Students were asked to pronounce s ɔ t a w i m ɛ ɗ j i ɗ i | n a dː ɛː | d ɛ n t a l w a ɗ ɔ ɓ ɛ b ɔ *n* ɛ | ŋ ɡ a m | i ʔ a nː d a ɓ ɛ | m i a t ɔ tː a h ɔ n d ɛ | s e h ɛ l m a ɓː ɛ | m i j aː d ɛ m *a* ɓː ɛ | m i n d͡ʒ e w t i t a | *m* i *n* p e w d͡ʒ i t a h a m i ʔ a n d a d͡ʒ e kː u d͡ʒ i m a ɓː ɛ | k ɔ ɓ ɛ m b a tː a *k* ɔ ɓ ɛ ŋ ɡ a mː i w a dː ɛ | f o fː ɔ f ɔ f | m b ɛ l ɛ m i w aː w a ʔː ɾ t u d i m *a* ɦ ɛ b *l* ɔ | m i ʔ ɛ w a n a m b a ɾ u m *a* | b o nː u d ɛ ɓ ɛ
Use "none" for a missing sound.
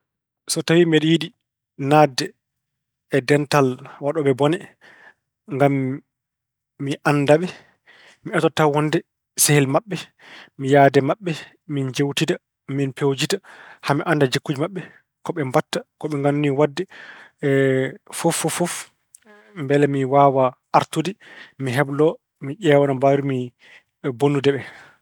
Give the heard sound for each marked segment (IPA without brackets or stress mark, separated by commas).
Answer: n, a, m, n, k, i, l, i